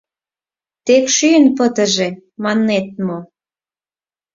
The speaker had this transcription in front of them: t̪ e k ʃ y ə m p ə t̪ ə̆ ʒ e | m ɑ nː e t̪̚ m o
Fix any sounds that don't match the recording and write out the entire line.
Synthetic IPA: t̪ e k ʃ y ə n p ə t̪ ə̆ ʒ e | m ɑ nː e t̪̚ m o